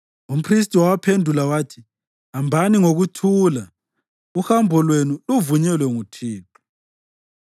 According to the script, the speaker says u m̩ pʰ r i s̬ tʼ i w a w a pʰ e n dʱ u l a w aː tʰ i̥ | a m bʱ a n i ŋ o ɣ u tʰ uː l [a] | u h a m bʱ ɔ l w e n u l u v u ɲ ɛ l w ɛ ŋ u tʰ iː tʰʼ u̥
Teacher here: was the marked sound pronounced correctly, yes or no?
yes